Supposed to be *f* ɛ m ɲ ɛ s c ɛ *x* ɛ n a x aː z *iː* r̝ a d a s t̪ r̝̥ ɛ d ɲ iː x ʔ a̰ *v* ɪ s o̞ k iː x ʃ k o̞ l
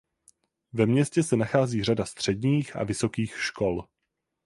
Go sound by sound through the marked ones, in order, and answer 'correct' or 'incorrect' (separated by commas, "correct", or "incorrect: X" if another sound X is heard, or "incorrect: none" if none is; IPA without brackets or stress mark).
incorrect: v, incorrect: s, correct, correct